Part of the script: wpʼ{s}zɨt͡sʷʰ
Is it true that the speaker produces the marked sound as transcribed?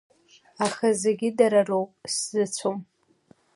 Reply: yes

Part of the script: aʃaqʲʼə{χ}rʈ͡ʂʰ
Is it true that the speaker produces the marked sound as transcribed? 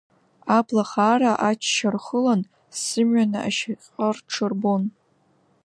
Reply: no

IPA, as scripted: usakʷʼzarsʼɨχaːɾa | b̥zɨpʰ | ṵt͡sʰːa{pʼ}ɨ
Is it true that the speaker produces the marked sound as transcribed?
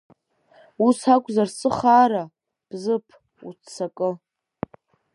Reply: no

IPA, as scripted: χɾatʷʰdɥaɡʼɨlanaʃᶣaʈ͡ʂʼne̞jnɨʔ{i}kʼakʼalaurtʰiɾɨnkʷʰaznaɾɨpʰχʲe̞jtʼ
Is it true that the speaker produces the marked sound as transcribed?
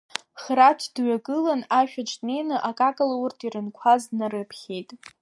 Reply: no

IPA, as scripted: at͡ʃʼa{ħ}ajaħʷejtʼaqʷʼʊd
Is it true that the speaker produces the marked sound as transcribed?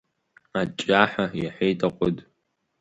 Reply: yes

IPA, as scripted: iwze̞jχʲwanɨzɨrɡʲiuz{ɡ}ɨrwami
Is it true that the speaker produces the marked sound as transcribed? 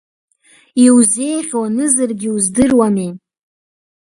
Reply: no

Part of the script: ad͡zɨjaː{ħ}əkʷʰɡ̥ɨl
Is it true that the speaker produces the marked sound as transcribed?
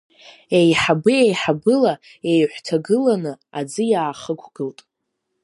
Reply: no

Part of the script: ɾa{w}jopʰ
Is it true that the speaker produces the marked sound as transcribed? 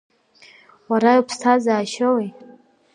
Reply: no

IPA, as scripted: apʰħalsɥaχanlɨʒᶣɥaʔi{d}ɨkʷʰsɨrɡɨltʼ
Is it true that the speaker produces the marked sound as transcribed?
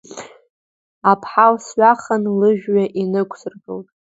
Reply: no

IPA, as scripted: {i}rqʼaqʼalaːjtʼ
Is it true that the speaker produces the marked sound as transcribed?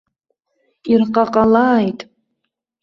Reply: yes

